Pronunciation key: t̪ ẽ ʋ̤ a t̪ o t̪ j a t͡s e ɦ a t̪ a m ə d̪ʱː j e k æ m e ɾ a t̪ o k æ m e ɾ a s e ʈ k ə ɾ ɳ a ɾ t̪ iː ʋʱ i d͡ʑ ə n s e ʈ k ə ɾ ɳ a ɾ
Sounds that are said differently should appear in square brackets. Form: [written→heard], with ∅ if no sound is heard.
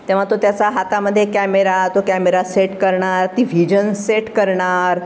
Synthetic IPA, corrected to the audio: t̪ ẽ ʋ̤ a t̪ o t̪ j a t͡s [e→a] ɦ a t̪ a m ə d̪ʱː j e k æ m e ɾ a t̪ o k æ m e ɾ a s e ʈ k ə ɾ ɳ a ɾ t̪ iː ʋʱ i d͡ʑ ə n s e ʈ k ə ɾ ɳ a ɾ